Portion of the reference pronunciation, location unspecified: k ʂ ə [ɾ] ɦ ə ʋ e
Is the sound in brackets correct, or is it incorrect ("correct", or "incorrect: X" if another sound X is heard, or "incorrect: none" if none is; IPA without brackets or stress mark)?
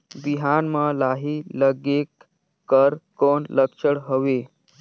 incorrect: ɽ